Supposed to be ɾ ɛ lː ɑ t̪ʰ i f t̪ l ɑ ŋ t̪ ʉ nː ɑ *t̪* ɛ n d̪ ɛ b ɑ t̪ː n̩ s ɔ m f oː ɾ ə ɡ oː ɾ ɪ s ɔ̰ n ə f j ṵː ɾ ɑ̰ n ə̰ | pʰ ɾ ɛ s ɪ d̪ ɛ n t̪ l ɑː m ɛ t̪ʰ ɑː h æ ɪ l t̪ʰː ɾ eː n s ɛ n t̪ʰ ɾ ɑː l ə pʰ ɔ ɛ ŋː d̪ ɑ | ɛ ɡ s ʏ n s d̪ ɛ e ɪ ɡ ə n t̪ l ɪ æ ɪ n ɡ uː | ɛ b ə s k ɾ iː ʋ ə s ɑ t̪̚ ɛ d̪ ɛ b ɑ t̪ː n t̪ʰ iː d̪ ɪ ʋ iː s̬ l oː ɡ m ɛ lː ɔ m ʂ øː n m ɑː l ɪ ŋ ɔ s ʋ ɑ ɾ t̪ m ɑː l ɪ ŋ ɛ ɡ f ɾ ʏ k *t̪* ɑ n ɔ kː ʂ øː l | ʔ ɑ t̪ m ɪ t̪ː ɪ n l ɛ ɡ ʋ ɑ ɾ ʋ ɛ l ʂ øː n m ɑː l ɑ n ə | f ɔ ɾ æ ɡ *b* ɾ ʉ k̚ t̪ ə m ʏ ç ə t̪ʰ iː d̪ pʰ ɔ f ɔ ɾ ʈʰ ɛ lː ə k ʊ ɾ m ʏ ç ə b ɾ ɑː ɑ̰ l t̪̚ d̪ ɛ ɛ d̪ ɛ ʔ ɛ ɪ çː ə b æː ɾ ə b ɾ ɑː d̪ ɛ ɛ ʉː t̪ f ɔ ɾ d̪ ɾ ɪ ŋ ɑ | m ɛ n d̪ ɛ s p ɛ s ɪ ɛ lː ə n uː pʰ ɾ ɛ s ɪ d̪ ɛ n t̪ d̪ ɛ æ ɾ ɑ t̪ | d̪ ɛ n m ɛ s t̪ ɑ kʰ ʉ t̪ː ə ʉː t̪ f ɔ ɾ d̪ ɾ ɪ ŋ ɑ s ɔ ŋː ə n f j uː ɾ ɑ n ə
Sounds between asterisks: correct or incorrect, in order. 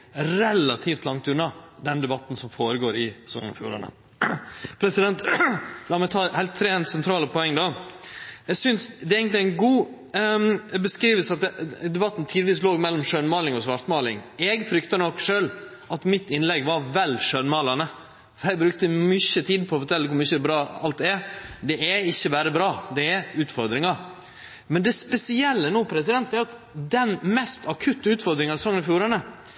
incorrect: d̪, correct, correct

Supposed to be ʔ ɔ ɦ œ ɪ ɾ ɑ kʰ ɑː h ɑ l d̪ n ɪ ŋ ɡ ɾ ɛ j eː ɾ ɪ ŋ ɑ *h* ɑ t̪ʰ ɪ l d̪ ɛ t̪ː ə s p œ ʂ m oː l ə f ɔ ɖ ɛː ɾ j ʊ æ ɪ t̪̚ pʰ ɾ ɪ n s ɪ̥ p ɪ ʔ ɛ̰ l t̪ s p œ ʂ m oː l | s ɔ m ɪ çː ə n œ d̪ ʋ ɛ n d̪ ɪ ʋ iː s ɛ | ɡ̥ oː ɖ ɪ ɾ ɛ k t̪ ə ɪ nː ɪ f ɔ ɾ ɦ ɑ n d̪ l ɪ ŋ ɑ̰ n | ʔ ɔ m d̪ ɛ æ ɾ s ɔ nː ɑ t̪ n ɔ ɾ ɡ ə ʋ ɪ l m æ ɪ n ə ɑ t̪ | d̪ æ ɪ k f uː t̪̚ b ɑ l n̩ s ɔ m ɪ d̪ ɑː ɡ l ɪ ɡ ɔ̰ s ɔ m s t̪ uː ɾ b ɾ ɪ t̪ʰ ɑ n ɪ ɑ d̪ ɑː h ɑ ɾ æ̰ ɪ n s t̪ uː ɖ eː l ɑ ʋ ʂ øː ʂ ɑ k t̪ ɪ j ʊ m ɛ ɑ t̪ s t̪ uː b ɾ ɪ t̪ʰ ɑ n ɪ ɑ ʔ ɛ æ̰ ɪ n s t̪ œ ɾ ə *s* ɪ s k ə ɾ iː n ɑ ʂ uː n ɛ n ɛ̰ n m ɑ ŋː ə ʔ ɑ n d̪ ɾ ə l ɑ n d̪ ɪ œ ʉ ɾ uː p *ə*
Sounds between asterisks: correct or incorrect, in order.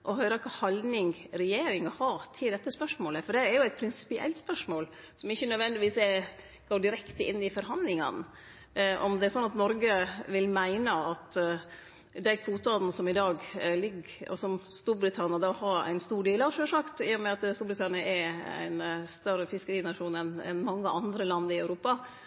correct, incorrect: f, incorrect: ɑ

